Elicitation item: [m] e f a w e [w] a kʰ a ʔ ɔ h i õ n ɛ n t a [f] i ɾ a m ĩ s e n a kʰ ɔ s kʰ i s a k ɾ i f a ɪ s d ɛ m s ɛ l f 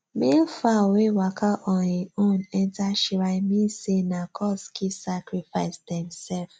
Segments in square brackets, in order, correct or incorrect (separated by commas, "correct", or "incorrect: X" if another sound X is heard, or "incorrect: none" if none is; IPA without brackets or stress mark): correct, correct, incorrect: ʃ